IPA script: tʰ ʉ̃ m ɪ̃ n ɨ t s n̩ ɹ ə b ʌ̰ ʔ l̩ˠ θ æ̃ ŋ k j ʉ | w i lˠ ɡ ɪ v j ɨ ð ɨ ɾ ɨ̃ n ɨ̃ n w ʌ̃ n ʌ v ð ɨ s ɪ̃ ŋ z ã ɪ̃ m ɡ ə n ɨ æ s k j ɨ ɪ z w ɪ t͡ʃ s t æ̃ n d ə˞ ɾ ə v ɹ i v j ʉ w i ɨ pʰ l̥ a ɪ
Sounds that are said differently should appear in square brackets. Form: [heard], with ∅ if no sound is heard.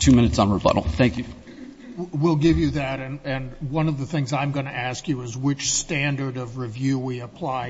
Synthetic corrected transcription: tʰ [ʉ] m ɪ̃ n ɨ t s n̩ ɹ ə b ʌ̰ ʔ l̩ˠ θ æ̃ ŋ k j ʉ | w i lˠ ɡ ɪ v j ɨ ð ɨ ɾ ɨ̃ n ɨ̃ n w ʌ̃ n ʌ v ð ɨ [θ] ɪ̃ ŋ z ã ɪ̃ m ɡ [ʌ] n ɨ æ s k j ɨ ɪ z w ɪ t͡ʃ s t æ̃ n d ə˞ ɾ [ʌ] v ɹ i v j ʉ w i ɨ pʰ l̥ a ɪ